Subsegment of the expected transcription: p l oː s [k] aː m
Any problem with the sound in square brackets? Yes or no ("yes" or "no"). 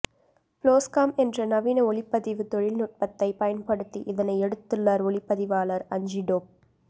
no